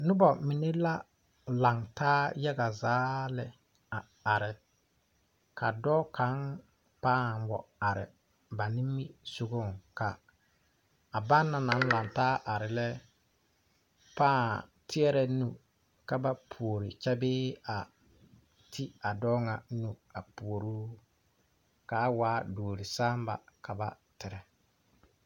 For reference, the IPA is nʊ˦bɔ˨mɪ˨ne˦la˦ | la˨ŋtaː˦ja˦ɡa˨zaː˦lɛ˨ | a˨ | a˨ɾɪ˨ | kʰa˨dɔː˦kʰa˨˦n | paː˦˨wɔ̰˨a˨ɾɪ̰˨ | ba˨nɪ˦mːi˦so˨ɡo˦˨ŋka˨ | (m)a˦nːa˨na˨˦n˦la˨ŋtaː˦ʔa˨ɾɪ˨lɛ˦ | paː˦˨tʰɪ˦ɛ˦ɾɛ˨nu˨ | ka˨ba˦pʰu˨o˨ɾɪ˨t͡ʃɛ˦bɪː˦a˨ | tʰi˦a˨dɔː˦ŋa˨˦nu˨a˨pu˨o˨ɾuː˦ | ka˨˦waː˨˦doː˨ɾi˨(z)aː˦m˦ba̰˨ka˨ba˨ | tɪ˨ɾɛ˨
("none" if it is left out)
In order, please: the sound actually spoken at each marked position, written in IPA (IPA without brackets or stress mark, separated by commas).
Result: b, s